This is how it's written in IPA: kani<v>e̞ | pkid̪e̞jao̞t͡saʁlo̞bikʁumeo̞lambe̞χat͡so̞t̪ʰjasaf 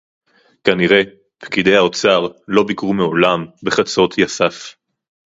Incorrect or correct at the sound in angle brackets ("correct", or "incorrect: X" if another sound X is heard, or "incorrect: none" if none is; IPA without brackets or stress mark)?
incorrect: ʁ